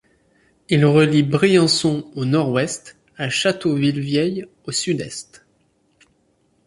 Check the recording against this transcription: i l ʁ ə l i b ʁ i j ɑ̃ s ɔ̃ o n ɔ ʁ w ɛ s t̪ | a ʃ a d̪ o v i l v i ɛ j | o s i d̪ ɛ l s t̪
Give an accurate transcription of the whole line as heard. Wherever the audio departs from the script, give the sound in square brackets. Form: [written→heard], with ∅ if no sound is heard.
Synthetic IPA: i l ʁ ə l i b ʁ i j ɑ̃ s ɔ̃ o n ɔ ʁ w ɛ s t̪ | a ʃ a [d̪→t̪] o v i l v [i→j] ɛ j | o s [i→y] d̪ ɛ [l→∅] s t̪